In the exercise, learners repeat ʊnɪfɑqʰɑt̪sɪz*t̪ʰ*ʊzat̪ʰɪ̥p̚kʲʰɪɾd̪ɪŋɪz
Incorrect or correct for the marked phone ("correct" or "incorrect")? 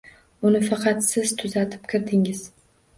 correct